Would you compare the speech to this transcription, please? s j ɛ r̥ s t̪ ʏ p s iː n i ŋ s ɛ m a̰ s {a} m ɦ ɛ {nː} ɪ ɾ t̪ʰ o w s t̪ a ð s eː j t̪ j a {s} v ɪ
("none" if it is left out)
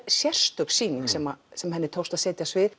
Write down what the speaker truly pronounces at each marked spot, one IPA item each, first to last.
ɛ, nː, s

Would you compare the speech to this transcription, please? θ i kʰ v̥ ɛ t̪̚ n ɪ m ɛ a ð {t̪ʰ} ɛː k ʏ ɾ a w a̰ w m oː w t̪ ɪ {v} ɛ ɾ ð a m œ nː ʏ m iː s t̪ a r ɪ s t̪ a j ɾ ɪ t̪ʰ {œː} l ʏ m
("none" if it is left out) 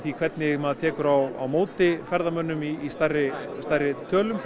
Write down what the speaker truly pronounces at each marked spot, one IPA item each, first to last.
t̪ʰ, f, œː

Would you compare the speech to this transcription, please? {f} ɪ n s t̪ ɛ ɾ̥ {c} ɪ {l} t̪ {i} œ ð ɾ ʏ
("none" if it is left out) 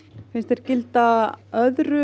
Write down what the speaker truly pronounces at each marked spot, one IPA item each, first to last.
f, c, l, a

